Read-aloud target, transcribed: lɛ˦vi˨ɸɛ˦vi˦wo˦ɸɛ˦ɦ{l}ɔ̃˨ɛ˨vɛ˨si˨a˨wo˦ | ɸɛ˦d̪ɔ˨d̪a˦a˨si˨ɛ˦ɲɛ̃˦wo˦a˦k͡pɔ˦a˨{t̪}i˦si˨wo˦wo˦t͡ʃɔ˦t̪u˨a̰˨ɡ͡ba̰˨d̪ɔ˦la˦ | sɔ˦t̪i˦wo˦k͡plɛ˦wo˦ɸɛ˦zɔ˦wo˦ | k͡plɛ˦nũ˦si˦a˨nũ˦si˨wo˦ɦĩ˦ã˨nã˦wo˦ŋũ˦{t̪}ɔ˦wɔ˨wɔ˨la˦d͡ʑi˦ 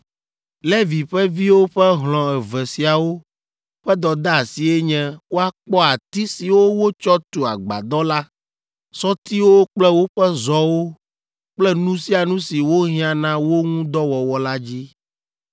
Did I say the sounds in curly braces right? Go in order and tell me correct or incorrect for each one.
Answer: correct, correct, incorrect: d̪

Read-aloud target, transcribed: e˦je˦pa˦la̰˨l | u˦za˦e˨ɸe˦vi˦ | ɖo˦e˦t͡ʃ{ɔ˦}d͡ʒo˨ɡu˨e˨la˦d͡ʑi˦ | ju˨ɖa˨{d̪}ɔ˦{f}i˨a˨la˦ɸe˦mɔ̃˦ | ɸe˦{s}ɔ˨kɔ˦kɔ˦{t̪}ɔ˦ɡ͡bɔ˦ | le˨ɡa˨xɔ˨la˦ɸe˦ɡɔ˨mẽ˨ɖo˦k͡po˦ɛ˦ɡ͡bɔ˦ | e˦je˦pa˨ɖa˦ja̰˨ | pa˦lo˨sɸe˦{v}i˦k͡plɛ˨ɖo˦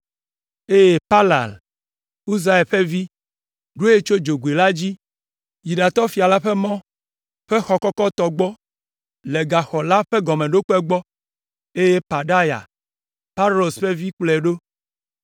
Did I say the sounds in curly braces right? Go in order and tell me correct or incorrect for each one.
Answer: incorrect: o˦, incorrect: t̪, correct, incorrect: x, correct, correct

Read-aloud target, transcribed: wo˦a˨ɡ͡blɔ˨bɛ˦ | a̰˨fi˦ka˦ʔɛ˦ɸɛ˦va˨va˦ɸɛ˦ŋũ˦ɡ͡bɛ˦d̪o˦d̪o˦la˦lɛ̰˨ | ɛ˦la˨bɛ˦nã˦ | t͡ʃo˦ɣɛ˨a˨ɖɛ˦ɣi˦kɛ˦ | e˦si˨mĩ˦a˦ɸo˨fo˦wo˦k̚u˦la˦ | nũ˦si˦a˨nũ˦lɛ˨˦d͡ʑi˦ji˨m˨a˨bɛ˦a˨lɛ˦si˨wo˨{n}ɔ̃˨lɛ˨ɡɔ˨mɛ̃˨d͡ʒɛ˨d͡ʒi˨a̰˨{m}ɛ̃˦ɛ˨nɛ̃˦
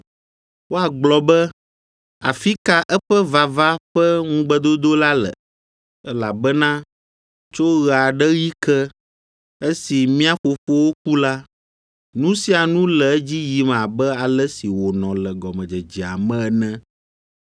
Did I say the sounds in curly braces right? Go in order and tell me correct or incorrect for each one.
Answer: correct, correct

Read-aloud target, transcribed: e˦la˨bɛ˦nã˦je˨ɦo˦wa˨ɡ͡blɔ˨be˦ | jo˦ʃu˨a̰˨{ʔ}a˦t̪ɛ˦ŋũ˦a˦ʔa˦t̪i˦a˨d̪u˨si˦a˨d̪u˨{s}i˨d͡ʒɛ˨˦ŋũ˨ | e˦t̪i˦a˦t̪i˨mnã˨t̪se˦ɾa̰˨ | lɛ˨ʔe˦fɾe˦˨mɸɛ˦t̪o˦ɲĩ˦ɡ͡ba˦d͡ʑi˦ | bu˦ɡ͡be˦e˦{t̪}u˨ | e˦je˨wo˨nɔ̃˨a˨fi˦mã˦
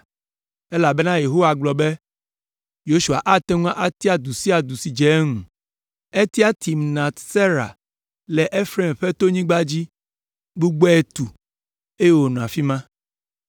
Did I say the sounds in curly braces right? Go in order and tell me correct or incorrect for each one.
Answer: correct, correct, correct

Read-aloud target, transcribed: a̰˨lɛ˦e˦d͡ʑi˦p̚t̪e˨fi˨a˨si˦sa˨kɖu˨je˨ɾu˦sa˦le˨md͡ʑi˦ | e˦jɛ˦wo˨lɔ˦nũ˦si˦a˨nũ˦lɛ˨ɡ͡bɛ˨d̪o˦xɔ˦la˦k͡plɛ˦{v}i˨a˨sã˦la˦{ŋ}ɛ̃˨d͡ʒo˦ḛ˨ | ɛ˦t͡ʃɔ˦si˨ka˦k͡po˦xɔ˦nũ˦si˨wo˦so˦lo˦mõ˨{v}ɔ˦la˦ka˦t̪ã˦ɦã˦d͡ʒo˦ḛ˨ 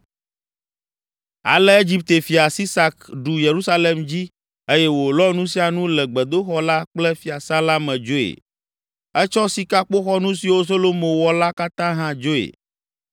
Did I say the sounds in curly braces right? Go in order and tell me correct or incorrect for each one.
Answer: incorrect: f, incorrect: m, incorrect: w

